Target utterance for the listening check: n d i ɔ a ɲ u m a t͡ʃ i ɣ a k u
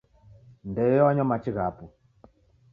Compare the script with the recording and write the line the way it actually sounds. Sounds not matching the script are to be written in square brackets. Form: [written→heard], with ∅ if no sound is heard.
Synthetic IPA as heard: n d [i→ɛ] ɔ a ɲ [u→ɔ] m a t͡ʃ i ɣ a [k→p] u